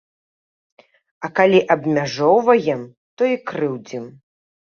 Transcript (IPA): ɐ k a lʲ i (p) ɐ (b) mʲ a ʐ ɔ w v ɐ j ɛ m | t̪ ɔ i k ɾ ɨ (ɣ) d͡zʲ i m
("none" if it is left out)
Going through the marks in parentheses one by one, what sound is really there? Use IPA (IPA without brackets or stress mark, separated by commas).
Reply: ʔ, b, w